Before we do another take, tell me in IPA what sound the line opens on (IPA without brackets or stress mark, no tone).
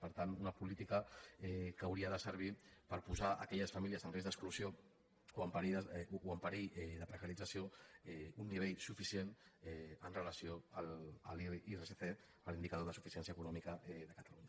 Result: p